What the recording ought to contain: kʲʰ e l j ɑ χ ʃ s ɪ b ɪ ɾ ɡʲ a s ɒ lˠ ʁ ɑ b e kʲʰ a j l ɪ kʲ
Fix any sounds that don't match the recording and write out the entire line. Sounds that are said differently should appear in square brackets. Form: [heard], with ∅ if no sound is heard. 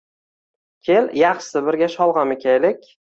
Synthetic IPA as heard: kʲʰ e l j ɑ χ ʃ s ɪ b ɪ ɾ ɡʲ a [ʃ] ɒ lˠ ʁ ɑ [m] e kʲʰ a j l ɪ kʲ